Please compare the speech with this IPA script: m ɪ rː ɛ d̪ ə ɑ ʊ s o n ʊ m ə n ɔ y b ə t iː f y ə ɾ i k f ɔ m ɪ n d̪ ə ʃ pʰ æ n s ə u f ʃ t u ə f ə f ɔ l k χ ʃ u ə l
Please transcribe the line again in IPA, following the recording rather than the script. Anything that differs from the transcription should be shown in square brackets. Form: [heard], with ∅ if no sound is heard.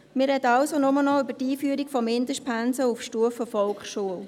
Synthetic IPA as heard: m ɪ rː ɛ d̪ ə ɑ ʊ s o n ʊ m ə n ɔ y b ə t iː f y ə ɾ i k f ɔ m ɪ n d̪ ə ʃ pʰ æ n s ə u f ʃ t u ə f ə f ɔ l k χ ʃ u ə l